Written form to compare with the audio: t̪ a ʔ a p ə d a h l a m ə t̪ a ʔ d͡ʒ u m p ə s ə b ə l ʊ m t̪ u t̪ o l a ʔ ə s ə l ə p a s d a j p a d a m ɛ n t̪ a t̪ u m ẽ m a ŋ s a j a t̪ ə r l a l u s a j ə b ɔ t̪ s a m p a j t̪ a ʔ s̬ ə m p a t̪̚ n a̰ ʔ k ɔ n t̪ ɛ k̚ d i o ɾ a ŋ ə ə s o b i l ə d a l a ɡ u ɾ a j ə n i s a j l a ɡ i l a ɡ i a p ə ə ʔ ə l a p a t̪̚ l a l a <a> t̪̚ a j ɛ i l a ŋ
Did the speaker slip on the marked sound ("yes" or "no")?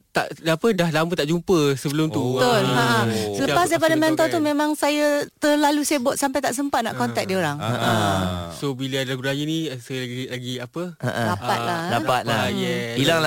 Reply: no